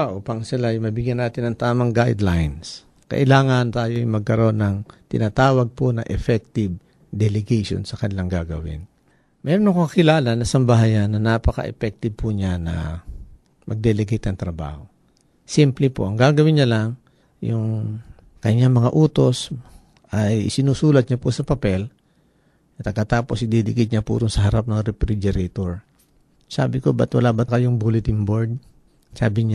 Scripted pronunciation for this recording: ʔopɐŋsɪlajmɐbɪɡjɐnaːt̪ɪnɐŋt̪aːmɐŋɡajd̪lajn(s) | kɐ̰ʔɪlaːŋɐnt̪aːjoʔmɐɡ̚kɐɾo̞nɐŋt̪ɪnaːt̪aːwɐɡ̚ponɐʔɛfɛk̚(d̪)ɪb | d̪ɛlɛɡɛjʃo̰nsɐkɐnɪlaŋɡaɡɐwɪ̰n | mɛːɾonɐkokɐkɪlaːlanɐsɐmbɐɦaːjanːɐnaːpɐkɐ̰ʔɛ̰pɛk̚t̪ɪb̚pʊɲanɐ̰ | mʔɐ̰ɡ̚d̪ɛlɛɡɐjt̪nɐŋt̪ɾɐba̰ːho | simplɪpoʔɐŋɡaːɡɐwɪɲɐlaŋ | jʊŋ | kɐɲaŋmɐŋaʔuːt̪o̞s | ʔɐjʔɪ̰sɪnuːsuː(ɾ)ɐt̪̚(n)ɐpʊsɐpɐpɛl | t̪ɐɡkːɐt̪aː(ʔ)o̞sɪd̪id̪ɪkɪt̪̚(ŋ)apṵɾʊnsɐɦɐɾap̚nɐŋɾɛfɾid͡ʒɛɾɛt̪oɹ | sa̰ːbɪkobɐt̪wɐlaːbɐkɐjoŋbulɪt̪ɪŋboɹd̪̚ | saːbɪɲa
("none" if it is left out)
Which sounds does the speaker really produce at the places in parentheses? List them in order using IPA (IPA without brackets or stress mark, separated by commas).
s, t̪, l, ɲ, p, ɲ